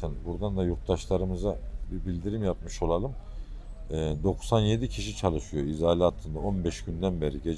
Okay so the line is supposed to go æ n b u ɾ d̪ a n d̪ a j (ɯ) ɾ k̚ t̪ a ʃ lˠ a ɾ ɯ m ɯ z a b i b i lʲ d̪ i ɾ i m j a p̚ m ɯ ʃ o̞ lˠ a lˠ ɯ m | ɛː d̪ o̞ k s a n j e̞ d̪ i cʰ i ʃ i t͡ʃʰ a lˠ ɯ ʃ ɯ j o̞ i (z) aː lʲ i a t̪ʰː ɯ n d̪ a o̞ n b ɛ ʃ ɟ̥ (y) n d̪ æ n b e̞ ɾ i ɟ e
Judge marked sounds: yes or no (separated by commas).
no, yes, yes